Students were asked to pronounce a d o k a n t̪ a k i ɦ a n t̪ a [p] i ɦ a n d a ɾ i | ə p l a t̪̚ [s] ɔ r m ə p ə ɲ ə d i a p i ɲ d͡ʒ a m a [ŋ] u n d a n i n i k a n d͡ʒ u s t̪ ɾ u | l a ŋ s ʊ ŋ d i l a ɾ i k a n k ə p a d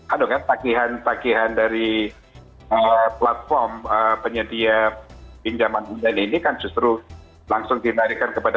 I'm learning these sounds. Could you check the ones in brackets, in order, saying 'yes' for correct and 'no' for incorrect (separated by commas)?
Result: no, no, no